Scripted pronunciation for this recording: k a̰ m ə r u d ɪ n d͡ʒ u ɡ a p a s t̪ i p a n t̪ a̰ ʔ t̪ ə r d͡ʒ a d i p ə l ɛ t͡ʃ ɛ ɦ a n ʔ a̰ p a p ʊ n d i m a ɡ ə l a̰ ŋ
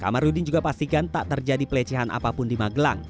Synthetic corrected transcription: k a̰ m a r u d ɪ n d͡ʒ u ɡ a p a s t̪ i k a n t̪ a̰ ʔ t̪ ə r d͡ʒ a d i p ə l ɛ t͡ʃ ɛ ɦ a n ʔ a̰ p a p ʊ n d i m a ɡ ə l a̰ ŋ